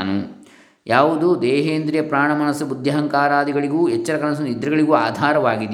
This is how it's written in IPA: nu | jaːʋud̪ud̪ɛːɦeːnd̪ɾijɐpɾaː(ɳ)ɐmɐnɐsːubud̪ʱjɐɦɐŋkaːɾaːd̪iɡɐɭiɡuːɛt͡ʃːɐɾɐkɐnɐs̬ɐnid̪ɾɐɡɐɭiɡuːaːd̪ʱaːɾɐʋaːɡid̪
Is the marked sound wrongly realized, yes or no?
no